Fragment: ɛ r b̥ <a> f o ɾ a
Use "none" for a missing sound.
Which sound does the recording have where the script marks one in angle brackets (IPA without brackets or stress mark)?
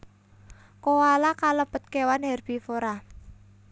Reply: i